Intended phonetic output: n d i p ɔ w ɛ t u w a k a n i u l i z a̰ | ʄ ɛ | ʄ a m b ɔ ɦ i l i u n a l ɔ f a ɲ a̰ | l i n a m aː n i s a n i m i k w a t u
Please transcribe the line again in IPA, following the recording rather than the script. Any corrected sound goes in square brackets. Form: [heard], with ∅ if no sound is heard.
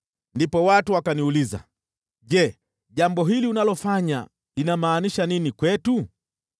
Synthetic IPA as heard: n d i p ɔ w [a] t u w a k a n i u l i z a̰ | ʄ ɛ | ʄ a m b ɔ ɦ i l i u n a l ɔ f a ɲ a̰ | l i n a m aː n i [ʃ] a n i [n] i k w [ɛ] t u